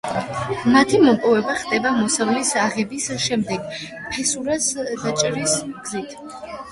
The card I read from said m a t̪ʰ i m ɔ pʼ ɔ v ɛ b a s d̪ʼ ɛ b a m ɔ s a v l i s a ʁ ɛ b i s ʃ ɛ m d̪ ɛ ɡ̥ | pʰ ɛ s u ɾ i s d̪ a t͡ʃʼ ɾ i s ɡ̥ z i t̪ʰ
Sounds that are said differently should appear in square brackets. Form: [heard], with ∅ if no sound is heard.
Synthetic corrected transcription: m a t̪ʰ i m ɔ pʼ ɔ v ɛ b a [χ] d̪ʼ ɛ b a m ɔ s a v l i s a ʁ ɛ b i s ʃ ɛ m d̪ ɛ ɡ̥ | pʰ ɛ s u ɾ [a] s d̪ a t͡ʃʼ ɾ i s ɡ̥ z i t̪ʰ